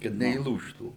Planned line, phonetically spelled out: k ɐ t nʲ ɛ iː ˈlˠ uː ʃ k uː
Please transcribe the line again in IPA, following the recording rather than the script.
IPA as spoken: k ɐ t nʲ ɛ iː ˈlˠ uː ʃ t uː